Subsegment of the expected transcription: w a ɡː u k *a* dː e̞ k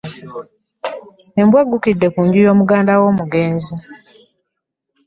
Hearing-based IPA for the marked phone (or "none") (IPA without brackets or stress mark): i